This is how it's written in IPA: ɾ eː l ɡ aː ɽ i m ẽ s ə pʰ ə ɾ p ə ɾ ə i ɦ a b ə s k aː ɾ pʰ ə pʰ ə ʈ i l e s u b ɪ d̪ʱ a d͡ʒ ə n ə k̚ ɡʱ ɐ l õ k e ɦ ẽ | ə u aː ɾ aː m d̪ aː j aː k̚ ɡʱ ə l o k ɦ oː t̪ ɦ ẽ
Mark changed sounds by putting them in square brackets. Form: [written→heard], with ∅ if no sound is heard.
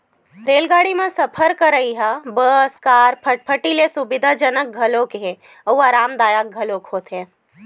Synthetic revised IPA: ɾ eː l ɡ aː ɽ i m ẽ s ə pʰ ə ɾ [p→k] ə ɾ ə i ɦ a b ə s k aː ɾ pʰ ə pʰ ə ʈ i l e s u b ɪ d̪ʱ a d͡ʒ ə n ə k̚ ɡʱ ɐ l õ k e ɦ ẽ | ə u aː ɾ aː m d̪ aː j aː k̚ ɡʱ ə l o k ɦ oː t̪ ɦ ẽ